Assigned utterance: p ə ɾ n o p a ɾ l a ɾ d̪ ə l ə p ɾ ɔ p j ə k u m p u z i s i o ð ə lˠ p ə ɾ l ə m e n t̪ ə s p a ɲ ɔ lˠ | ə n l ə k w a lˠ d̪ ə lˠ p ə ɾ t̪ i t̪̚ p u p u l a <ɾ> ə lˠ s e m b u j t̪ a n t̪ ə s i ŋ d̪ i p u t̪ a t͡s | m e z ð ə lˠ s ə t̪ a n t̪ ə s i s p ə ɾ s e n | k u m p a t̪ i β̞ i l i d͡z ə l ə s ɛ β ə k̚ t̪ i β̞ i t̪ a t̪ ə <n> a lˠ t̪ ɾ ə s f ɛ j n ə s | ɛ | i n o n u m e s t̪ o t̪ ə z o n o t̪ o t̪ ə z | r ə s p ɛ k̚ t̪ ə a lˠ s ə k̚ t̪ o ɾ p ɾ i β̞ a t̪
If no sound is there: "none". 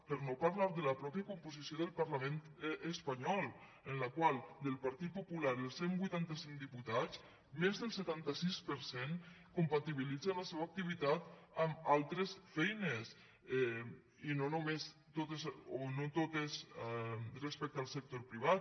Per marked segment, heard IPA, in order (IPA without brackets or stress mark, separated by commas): ɾ, m